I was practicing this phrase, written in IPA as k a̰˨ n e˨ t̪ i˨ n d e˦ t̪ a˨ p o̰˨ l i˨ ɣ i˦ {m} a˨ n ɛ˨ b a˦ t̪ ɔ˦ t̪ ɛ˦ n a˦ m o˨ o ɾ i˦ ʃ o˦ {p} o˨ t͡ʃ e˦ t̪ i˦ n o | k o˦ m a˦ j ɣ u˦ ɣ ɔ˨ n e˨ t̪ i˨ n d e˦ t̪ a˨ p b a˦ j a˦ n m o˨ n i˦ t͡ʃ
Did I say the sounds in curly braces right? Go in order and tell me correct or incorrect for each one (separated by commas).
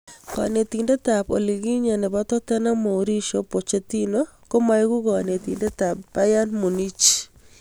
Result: incorrect, correct